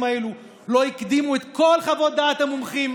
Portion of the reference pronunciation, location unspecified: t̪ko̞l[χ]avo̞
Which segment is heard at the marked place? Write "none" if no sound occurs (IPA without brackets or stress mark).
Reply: χ